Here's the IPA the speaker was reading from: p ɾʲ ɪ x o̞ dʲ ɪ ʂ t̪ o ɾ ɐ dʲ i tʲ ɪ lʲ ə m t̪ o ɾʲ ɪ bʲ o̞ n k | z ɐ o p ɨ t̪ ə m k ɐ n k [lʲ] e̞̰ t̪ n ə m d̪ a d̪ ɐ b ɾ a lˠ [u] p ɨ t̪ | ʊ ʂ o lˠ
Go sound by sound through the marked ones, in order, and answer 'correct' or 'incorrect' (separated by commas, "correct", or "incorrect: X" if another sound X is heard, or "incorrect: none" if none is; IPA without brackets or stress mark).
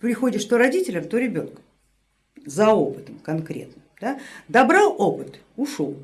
incorrect: ɾʲ, incorrect: o